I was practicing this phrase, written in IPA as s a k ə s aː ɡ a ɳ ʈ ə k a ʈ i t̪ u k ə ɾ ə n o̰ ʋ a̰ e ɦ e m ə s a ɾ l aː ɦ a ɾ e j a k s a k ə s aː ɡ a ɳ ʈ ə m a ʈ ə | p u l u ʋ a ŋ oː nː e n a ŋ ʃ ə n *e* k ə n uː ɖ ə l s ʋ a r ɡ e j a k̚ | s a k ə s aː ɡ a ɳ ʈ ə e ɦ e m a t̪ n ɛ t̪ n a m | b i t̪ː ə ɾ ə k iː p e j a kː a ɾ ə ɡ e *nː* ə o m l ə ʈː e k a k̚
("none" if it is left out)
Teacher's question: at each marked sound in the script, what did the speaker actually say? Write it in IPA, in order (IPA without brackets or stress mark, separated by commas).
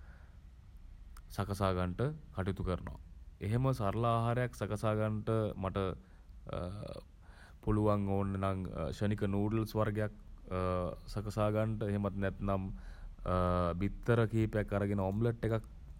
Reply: i, n